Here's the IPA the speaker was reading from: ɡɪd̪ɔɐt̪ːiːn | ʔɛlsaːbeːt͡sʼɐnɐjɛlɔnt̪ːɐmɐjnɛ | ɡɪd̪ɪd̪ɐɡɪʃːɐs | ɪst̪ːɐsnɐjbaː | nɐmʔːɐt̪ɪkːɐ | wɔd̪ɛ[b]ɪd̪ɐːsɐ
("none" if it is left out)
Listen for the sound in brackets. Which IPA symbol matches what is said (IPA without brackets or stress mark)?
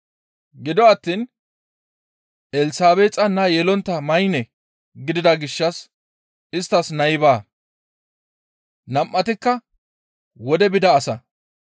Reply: b